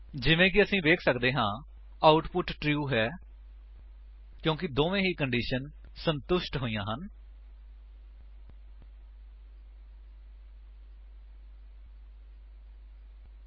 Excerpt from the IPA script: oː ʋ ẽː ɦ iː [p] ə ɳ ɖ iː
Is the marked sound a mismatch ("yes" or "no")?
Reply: yes